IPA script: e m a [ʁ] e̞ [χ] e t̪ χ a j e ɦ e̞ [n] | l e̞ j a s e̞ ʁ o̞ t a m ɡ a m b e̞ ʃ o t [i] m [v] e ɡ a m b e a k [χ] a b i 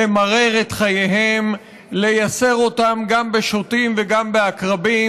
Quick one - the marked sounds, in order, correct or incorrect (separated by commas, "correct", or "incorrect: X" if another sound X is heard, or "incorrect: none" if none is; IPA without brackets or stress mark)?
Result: correct, incorrect: ʁ, incorrect: m, correct, correct, incorrect: ʁ